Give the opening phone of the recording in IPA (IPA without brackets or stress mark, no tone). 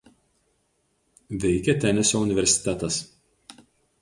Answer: ʋʲ